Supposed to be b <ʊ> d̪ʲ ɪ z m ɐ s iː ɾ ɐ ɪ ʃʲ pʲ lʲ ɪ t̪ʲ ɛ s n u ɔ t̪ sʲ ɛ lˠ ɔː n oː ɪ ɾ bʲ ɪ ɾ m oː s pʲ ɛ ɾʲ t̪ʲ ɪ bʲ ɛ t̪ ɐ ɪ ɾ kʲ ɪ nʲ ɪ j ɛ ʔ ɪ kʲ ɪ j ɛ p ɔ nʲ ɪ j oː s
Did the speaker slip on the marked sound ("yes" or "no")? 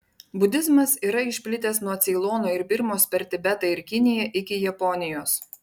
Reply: no